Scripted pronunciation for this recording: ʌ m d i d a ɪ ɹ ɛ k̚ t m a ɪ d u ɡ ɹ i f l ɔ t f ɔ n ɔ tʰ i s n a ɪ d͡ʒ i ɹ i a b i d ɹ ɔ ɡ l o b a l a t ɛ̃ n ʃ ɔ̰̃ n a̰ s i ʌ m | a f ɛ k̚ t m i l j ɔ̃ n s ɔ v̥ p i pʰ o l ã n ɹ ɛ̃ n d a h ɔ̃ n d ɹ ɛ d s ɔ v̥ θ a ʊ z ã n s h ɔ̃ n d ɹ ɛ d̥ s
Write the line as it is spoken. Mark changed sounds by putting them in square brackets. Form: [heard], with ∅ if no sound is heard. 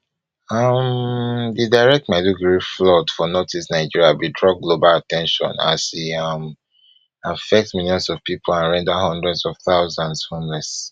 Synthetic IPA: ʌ m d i d a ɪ ɹ ɛ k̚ t m a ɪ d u ɡ ɹ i f l ɔ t f ɔ n ɔ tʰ i s n a ɪ d͡ʒ i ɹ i a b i d ɹ ɔ ɡ l o b a l a t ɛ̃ n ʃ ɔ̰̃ n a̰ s i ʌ m | a f ɛ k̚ t m i l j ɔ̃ n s ɔ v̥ p i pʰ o l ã n ɹ ɛ̃ n d a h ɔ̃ n d ɹ ɛ d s ɔ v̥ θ a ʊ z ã n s h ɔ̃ n d ɹ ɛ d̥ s